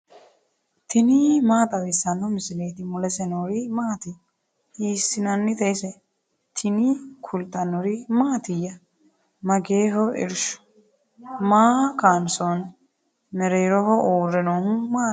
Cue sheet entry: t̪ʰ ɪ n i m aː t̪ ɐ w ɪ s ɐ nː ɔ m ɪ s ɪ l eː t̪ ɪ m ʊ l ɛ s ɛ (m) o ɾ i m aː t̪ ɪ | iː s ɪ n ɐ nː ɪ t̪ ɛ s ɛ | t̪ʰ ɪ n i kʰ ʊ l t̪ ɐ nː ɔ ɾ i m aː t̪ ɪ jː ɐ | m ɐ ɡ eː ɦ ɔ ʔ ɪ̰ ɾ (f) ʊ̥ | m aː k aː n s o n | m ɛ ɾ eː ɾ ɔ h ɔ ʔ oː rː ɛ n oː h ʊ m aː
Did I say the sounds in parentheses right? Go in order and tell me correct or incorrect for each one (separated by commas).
incorrect, incorrect